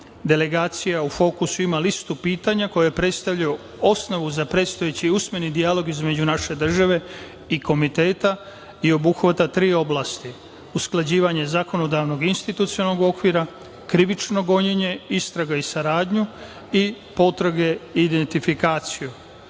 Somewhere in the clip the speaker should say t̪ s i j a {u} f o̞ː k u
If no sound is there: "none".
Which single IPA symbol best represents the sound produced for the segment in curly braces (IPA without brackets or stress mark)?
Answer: u